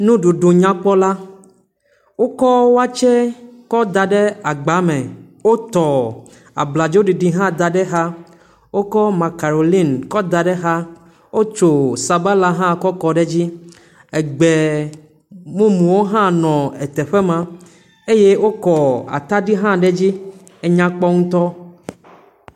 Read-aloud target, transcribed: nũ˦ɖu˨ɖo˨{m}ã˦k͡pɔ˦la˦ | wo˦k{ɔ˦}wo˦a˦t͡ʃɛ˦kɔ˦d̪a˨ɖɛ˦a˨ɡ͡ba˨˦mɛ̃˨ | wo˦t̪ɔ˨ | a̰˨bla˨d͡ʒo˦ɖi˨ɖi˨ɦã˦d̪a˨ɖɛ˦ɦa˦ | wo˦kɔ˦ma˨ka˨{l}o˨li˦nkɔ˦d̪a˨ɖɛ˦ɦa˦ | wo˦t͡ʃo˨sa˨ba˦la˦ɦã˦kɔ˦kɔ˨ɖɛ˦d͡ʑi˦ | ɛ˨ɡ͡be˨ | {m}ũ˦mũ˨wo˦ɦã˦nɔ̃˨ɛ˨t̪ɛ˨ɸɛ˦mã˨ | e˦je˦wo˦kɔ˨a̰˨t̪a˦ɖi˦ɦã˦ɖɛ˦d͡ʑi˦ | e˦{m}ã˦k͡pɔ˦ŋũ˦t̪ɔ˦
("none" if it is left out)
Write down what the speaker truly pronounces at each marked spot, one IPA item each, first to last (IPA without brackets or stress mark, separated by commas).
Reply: ɲ, ɔ˦, ɾ, m, ɲ